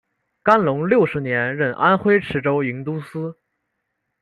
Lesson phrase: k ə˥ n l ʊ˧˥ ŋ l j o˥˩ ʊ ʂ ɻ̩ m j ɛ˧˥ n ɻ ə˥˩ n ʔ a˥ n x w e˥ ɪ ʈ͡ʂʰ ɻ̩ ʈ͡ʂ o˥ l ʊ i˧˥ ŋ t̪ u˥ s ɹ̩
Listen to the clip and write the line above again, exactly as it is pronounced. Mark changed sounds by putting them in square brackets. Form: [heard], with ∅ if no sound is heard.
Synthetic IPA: k [a˥] n l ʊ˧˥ ŋ l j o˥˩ ʊ ʂ ɻ̩ [n] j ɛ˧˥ n ɻ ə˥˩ n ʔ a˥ n x w e˥ ɪ ʈ͡ʂʰ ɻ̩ ʈ͡ʂ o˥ [∅] ʊ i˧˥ ŋ t̪ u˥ s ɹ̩